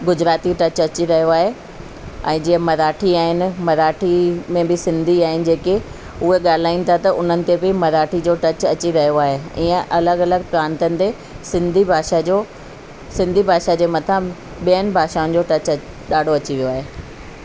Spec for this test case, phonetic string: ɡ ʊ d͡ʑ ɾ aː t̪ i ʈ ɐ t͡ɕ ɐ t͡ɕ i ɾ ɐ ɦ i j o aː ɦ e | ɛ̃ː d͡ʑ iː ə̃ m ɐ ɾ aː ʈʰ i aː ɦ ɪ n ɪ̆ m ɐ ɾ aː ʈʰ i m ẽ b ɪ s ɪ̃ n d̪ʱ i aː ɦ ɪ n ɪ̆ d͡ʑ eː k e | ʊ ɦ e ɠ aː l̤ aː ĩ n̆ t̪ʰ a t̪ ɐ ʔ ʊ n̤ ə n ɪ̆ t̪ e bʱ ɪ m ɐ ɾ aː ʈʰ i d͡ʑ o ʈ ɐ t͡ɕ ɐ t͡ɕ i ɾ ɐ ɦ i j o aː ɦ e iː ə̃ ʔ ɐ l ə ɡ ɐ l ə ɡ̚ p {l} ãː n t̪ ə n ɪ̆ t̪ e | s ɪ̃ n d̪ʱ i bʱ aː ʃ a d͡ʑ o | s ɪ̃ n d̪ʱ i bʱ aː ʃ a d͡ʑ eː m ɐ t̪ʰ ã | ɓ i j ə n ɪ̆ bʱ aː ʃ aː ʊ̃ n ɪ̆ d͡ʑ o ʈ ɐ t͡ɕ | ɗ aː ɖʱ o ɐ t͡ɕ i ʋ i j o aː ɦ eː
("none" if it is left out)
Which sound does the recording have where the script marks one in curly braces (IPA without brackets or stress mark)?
ɾ